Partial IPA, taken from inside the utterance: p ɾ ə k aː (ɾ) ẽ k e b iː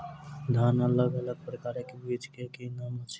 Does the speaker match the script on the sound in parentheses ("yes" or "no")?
yes